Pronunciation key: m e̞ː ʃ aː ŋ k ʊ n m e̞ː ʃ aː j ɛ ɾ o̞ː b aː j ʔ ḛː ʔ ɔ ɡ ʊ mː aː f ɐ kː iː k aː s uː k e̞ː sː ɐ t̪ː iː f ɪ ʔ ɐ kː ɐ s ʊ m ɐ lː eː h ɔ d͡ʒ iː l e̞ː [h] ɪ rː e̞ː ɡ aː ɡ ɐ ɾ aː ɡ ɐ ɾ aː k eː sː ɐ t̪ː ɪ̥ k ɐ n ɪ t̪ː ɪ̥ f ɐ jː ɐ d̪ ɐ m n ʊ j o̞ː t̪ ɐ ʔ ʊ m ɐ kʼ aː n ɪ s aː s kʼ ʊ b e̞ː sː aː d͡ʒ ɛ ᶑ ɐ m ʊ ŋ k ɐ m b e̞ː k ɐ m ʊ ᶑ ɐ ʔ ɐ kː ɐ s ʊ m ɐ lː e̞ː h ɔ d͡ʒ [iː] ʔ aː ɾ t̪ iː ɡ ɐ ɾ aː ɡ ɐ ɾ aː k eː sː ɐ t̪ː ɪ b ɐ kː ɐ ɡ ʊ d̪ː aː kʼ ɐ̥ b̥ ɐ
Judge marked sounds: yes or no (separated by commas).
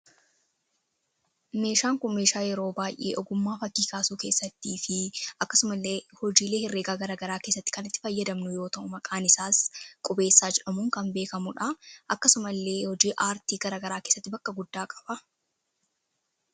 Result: yes, yes